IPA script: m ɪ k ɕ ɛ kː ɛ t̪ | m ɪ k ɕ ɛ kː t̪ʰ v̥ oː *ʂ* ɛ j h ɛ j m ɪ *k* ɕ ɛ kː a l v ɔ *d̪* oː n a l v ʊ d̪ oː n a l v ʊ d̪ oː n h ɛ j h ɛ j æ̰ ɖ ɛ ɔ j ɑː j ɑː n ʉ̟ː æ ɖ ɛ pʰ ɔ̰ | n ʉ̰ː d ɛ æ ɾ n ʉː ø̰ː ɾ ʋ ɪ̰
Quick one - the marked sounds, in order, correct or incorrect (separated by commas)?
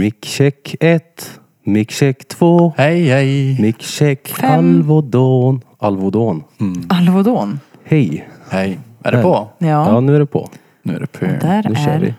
incorrect, correct, correct